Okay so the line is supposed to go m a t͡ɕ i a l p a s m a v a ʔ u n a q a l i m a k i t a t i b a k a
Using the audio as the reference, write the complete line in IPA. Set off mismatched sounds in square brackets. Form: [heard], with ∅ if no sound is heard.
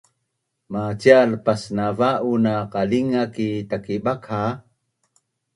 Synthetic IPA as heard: m a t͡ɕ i a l p a s [n] a v a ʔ u n a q a l i [ŋ] a k i t a [k] i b a k a